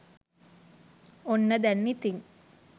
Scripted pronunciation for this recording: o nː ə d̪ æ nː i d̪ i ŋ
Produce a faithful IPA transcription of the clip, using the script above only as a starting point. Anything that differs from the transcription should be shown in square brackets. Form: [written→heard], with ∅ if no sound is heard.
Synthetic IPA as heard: o nː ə d̪ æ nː i [d̪→t̪] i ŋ